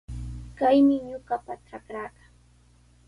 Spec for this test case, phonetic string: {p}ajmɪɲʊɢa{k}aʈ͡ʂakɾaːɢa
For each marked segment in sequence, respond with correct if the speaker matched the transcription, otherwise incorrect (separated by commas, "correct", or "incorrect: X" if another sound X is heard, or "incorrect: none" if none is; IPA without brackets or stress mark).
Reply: incorrect: k, incorrect: p